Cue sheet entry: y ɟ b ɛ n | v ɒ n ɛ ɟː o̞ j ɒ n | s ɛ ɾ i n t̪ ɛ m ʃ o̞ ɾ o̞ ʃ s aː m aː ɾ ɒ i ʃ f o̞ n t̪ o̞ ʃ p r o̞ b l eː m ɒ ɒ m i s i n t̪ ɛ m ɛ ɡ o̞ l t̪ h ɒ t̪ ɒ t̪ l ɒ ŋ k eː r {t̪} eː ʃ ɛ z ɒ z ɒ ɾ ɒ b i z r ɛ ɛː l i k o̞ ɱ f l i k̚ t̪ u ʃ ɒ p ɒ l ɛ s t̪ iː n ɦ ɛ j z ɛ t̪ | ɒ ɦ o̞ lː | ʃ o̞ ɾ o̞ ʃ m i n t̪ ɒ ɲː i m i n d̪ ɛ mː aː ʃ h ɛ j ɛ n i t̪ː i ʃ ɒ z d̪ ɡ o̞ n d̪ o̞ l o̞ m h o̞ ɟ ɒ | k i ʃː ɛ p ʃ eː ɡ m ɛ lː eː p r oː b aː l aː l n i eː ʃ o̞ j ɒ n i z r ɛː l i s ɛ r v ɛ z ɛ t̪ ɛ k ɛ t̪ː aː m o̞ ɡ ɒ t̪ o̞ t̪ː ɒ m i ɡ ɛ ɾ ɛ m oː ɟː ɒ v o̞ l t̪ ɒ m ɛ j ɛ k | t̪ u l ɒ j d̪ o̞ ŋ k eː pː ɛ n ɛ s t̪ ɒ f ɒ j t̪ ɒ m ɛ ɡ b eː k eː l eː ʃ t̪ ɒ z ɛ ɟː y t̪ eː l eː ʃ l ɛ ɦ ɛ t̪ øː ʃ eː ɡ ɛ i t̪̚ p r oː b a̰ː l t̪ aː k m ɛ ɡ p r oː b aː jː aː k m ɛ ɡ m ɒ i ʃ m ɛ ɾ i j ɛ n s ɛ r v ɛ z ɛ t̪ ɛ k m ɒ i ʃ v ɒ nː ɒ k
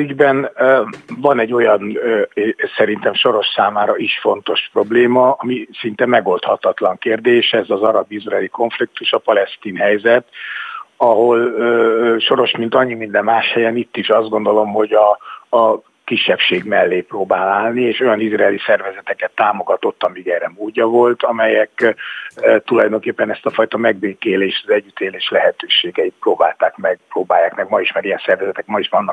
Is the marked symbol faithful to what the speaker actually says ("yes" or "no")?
no